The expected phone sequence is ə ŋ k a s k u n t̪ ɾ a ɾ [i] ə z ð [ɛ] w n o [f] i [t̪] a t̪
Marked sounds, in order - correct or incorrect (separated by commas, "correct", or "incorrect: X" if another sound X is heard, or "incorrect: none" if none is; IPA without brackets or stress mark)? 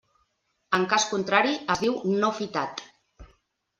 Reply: correct, incorrect: i, correct, correct